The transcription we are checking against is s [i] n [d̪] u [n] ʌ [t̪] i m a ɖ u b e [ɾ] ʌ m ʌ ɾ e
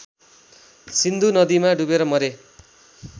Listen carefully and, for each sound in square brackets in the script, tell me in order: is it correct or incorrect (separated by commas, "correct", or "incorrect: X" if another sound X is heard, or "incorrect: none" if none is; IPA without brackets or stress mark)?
correct, correct, correct, incorrect: d̪, correct